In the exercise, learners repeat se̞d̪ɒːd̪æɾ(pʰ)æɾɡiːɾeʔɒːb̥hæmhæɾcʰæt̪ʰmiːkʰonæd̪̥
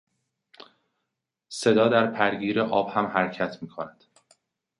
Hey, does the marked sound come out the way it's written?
yes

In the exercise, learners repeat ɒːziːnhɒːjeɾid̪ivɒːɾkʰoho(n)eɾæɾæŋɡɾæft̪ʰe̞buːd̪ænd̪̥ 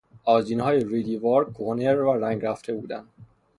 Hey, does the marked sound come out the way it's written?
yes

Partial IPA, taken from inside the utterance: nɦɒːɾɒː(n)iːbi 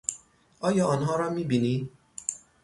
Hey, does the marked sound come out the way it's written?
no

